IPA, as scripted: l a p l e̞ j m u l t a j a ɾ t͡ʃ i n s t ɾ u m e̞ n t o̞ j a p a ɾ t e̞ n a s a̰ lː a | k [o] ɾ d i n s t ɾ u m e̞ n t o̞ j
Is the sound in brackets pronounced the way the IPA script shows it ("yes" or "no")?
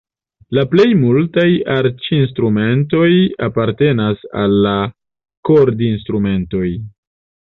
yes